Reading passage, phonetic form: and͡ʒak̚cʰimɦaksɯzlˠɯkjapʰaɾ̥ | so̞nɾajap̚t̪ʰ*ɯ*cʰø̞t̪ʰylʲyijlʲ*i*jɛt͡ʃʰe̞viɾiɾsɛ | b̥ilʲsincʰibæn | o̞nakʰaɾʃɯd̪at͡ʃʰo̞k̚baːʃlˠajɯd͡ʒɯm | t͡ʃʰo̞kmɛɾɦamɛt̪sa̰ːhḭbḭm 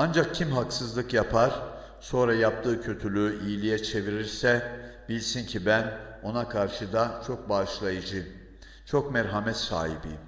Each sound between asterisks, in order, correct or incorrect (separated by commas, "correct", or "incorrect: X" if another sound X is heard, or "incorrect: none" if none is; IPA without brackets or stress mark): incorrect: ɯː, correct